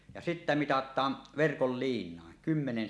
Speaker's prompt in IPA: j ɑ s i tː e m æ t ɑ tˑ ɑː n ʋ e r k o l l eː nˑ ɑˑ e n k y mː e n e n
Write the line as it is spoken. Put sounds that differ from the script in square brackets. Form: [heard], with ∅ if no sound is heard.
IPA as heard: j ɑ s i tː [æ] m [i] t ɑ tˑ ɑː n ʋ e r k o l l [iː] nˑ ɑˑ e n k y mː e n e n